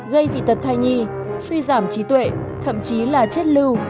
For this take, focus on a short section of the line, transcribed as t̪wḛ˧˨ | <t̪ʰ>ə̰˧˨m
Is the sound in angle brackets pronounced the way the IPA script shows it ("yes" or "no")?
yes